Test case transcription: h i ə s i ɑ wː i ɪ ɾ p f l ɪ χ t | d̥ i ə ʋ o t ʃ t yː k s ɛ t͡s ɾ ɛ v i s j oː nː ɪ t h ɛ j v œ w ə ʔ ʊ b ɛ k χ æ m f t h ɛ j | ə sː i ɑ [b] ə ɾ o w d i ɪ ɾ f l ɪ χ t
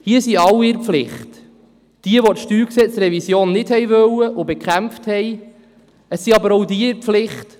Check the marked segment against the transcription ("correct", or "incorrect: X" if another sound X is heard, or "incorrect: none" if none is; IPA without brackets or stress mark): correct